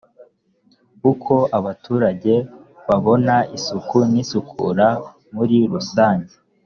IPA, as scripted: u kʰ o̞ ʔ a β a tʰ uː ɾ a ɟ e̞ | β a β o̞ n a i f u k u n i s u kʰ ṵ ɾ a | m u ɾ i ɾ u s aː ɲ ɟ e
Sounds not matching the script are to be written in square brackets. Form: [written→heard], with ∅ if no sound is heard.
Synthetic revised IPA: u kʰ o̞ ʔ a β a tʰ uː ɾ a ɟ e̞ | β a β o̞ n a i [f→s] u k u n i s u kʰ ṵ ɾ a | m u ɾ i ɾ u s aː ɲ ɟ e